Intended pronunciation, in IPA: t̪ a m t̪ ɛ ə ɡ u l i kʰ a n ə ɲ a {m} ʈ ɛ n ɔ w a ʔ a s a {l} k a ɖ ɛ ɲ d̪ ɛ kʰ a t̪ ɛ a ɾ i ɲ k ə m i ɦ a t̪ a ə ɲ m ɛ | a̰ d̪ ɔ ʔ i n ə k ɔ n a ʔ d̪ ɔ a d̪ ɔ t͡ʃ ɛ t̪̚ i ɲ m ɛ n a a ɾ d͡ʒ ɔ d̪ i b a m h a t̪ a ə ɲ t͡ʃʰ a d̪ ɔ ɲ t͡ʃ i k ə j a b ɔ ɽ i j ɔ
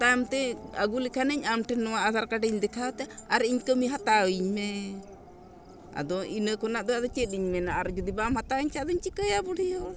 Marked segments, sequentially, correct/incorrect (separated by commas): correct, incorrect